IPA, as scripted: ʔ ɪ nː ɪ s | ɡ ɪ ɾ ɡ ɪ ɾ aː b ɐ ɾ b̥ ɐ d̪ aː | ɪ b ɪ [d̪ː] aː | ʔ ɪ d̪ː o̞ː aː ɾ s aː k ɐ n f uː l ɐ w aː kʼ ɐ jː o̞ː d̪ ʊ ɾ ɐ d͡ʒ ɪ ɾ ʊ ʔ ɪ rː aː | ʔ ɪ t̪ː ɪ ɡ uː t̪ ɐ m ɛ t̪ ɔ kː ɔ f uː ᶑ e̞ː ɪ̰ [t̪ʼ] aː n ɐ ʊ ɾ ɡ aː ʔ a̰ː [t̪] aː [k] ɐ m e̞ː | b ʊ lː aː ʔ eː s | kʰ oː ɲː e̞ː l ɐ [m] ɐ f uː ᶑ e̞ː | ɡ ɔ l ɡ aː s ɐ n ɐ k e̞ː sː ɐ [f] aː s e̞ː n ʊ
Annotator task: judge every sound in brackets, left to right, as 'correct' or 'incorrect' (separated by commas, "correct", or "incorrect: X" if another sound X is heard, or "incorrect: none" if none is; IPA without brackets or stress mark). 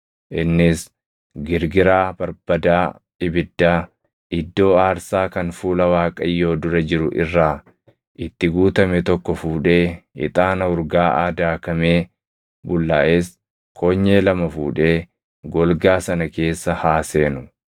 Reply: correct, correct, incorrect: d̪, correct, correct, incorrect: h